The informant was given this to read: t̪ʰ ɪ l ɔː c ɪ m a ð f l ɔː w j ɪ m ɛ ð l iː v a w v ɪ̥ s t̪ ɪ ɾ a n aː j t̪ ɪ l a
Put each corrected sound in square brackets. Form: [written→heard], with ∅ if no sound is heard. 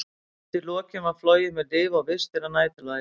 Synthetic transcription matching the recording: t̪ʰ ɪ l ɔː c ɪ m a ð f l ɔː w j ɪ m ɛ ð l [iː→ɪː] v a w v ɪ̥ s t̪ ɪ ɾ a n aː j t̪ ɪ l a